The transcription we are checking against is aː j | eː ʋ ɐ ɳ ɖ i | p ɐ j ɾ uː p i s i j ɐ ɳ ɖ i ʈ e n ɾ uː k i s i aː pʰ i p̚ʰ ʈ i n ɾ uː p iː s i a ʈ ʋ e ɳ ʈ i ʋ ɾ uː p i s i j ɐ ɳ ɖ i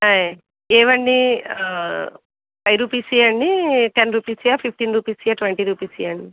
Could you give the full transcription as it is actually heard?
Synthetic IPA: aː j | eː ʋ ɐ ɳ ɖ i | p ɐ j ɾ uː p i s i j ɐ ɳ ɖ i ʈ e n ɾ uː p i s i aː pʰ i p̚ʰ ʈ i n ɾ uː p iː s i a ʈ ʋ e ɳ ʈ i ɾ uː p i s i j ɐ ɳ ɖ i